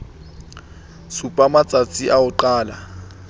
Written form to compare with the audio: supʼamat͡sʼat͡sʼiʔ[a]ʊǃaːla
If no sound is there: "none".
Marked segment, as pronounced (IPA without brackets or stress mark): a